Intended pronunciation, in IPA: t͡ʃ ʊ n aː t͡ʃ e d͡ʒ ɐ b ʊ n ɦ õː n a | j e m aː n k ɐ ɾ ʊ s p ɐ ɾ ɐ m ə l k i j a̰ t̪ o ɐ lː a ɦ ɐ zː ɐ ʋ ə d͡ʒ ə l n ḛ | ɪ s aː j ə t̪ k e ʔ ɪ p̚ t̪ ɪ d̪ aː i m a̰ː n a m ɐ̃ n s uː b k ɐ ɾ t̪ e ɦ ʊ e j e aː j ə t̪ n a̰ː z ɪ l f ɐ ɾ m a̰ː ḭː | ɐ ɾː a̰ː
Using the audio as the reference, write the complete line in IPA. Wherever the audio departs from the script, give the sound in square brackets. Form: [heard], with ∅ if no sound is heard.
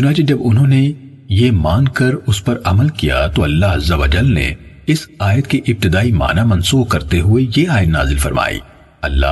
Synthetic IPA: t͡ʃ ʊ n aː t͡ʃ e d͡ʒ ɐ b ʊ n ɦ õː n [e] | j e m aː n k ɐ ɾ ʊ s p ɐ ɾ ɐ m ə l k i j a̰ t̪ o ɐ lː a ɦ ɐ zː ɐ ʋ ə d͡ʒ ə l n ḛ | ɪ s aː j ə t̪ k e ʔ ɪ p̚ t̪ ɪ d̪ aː i m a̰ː n a m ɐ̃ n s uː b k ɐ ɾ t̪ e ɦ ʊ e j e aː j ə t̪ n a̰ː z ɪ l f ɐ ɾ m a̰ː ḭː | ɐ [lː] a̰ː